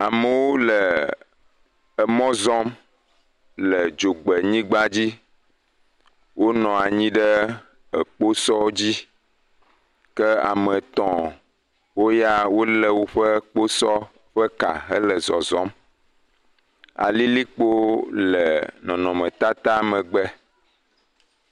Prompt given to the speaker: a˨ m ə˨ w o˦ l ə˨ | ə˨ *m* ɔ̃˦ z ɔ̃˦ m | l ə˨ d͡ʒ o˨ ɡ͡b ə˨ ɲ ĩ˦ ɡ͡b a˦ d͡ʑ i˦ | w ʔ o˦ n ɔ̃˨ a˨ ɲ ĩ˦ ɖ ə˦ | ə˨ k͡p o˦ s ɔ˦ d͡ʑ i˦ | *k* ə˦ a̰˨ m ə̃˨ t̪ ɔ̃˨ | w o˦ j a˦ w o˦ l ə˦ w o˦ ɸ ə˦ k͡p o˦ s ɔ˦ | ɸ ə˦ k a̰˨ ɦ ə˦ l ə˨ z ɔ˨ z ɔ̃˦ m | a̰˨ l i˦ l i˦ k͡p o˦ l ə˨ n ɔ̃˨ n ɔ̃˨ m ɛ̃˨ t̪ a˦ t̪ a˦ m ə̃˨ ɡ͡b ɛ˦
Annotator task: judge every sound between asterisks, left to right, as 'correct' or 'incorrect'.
correct, correct

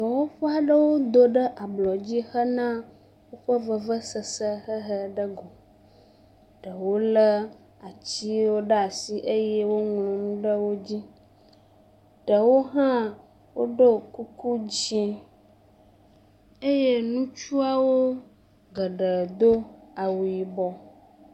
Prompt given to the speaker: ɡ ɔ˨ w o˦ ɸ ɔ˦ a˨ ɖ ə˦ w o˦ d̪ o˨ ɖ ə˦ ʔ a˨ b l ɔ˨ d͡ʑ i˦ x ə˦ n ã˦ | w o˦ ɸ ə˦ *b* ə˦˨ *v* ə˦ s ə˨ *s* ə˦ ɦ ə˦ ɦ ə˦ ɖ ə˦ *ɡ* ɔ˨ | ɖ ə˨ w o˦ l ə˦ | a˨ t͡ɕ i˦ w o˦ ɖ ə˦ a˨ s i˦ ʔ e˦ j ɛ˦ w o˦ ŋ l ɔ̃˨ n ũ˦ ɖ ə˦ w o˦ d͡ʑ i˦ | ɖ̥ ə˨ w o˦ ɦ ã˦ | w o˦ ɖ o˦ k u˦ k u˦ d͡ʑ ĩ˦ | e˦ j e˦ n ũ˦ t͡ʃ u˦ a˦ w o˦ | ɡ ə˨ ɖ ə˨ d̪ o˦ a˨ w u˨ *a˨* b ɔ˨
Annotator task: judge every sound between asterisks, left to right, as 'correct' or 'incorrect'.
incorrect: v, correct, correct, correct, incorrect: i˨

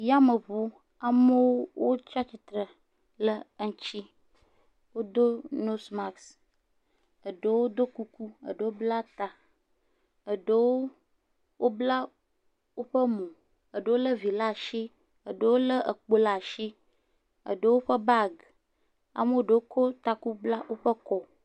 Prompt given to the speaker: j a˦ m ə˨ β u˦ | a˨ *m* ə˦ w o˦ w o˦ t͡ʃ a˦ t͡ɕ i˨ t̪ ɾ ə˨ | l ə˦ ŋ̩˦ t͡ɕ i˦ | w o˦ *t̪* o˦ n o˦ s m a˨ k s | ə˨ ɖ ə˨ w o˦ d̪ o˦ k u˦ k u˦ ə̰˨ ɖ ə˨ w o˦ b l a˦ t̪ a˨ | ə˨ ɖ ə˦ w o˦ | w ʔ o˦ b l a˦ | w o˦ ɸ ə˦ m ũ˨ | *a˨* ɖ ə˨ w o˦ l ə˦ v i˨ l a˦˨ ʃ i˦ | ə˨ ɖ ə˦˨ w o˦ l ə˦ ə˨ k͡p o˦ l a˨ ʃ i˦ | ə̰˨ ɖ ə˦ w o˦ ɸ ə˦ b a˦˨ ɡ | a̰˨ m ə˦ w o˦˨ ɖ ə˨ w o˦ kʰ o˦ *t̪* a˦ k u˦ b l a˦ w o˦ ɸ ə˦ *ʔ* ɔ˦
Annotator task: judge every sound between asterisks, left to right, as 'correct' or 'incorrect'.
correct, incorrect: d̪, incorrect: ə˨, correct, incorrect: k

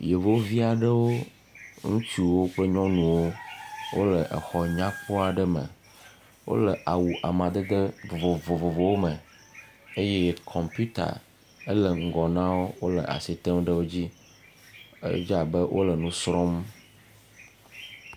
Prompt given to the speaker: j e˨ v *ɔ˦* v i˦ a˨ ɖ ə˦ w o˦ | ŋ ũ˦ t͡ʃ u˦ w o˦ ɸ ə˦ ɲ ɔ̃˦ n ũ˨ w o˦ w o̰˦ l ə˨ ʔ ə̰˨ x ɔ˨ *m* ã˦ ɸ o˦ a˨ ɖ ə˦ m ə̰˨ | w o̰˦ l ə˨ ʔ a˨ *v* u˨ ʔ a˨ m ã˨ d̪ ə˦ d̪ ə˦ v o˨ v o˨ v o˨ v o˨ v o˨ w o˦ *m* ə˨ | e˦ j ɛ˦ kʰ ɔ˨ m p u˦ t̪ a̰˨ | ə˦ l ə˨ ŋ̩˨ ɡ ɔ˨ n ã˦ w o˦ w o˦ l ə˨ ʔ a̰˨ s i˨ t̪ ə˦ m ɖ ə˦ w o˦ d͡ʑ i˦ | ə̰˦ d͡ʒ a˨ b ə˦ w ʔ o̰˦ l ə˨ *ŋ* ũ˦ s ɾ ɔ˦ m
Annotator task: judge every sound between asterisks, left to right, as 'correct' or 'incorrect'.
incorrect: o˦, incorrect: ɲ, incorrect: w, correct, incorrect: n

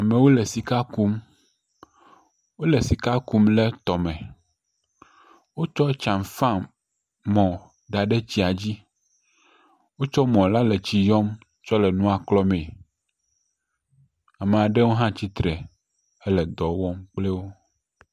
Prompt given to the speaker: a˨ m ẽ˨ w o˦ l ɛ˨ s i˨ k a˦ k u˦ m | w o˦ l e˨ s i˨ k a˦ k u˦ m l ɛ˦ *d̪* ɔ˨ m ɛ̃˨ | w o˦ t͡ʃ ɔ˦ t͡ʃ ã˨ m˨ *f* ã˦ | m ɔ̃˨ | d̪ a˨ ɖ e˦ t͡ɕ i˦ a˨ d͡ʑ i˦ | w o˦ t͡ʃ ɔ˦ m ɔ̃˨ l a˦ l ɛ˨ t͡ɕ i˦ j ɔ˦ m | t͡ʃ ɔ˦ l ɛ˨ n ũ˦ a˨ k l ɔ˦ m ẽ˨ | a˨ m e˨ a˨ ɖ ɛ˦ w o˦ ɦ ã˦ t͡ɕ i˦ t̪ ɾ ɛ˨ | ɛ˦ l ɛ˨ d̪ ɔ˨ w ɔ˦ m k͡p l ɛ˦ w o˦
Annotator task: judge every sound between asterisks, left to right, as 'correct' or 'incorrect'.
incorrect: t̪, correct

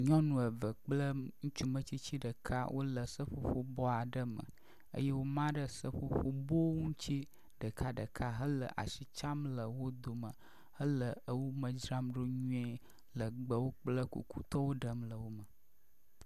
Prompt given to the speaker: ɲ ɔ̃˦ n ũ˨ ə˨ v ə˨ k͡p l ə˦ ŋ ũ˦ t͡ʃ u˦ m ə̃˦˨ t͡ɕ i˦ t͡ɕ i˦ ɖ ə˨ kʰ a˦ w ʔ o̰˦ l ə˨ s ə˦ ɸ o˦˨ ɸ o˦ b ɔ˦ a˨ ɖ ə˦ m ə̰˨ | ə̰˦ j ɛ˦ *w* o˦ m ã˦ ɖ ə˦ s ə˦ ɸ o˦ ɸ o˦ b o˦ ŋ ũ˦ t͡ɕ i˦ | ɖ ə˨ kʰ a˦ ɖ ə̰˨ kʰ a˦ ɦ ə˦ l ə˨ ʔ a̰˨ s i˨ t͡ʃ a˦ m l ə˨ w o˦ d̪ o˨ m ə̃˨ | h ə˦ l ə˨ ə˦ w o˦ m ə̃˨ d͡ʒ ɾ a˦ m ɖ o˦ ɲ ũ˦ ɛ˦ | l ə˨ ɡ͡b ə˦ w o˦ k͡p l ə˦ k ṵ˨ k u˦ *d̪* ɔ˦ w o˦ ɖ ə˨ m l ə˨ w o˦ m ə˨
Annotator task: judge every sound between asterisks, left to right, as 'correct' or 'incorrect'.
correct, incorrect: t̪

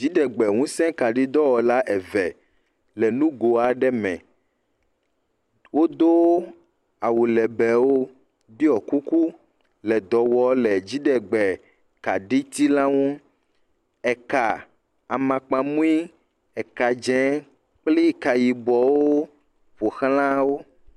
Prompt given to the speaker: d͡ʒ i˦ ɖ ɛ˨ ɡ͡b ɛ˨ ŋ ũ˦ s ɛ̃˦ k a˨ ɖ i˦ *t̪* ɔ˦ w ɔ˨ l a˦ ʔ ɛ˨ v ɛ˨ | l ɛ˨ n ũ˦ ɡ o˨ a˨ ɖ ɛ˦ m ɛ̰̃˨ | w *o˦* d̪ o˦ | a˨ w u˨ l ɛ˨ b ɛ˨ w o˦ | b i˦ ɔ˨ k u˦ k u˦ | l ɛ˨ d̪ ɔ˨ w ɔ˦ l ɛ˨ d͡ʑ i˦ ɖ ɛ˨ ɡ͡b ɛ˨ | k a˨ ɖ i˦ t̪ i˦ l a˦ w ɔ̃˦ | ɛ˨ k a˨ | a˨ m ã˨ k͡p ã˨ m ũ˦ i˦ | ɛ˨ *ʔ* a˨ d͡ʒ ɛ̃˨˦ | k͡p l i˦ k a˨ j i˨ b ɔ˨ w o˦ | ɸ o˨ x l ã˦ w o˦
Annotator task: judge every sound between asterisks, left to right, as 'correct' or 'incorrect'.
incorrect: d̪, correct, incorrect: k

